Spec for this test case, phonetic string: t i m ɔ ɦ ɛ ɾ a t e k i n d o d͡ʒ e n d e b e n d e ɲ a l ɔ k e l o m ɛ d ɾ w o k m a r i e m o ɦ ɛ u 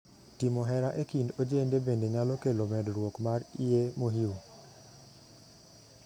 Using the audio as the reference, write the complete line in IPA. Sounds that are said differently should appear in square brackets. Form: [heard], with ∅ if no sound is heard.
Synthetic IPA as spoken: t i m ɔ ɦ ɛ ɾ a [ʔ] e k i n d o d͡ʒ e n d e b e n d e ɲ a l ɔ k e l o m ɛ d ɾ w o k m a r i e m o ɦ [i] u

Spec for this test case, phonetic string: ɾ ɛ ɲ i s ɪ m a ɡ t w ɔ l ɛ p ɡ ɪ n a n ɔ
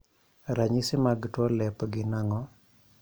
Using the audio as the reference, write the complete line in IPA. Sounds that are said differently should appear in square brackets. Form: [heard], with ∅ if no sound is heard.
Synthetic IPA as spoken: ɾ [a] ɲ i s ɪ m a ɡ t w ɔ l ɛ p ɡ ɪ n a [ŋ] ɔ

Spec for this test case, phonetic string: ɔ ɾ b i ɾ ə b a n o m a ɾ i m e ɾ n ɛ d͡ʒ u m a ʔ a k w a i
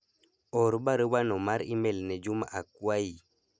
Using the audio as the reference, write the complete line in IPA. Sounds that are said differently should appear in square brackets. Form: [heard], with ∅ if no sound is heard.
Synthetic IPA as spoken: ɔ ɾ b [a] ɾ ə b a n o m a ɾ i m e [l] n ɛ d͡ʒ u m a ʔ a k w a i

